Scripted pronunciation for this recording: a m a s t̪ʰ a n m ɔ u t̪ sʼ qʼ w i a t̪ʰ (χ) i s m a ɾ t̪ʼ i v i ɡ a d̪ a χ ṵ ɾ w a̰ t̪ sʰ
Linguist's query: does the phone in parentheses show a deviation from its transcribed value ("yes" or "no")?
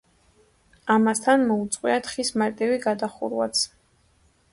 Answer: no